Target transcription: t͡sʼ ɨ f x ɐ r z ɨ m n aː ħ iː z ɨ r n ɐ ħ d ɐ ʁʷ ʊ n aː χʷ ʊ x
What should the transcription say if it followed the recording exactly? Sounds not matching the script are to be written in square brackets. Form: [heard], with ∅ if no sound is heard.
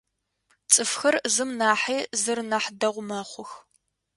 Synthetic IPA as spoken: t͡sʼ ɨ f x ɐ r z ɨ m n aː ħ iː z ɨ r n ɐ ħ d ɐ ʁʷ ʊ [m] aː χʷ ʊ x